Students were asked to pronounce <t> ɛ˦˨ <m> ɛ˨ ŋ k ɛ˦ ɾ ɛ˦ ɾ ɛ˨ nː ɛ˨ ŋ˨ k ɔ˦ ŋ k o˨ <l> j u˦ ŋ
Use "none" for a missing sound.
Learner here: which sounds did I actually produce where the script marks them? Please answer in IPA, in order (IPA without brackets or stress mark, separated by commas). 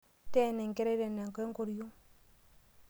t, n, ɾ